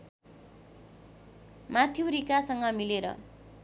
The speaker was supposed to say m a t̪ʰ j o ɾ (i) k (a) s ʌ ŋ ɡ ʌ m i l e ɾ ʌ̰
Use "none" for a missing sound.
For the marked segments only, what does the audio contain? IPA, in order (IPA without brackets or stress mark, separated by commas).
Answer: i, a